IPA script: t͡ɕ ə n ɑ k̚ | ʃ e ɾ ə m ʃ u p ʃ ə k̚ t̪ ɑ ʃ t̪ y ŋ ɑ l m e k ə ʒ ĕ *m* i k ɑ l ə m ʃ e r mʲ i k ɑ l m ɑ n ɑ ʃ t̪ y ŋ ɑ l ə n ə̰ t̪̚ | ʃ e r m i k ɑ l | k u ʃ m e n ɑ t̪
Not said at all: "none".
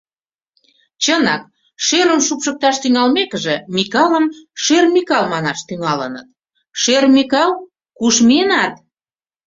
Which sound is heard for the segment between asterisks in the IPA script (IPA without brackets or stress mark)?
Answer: m